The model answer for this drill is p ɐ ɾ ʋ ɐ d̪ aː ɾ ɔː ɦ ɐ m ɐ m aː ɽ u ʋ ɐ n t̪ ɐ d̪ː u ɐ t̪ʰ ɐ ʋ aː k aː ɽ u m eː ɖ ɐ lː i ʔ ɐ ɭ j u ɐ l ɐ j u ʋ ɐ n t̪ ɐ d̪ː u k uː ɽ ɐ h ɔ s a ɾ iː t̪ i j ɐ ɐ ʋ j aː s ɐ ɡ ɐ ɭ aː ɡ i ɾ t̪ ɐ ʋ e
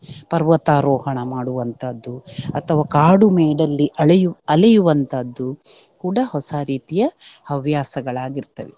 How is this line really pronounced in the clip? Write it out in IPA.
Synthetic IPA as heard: p ɐ ɾ ʋ ɐ t̪ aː ɾ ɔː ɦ ɐ ɳ ɐ m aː ɽ u ʋ ɐ n t̪ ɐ d̪ː u ɐ t̪ʰ ɐ ʋ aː k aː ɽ u m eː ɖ ɐ lː i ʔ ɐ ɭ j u ɐ l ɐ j u ʋ ɐ n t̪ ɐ d̪ː u k uː ɽ ɐ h ɔ s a ɾ iː t̪ i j ɐ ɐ ʋ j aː s ɐ ɡ ɐ ɭ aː ɡ i ɾ t̪ ɐ ʋ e